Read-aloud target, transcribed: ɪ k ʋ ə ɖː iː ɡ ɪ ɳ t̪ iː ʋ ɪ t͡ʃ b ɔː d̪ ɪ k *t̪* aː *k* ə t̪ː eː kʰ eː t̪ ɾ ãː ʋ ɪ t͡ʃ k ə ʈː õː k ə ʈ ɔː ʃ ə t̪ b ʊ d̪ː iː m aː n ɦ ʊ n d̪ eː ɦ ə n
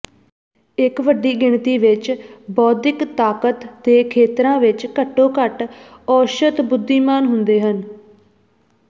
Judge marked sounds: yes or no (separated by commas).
yes, yes